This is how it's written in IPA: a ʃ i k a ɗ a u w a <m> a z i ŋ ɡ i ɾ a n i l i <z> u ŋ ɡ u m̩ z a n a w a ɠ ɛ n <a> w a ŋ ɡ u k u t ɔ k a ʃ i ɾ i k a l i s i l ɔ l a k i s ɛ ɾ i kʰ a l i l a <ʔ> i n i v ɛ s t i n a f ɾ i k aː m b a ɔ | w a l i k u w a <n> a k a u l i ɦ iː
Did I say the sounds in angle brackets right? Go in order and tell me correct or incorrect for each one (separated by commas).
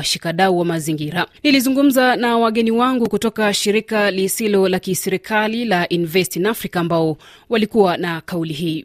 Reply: correct, correct, incorrect, correct, correct